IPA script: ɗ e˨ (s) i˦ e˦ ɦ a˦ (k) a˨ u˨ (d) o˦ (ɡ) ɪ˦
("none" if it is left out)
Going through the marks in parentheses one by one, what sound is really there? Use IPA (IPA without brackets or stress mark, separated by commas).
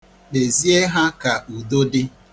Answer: z, k, d, d